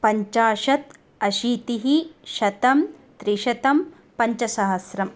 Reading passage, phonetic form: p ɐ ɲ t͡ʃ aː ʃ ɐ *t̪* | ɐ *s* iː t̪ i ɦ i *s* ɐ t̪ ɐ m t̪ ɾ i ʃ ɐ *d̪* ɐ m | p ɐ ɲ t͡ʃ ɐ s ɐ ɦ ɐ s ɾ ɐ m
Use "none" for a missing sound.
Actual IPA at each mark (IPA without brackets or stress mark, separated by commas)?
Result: t̪, ʃ, ʃ, t̪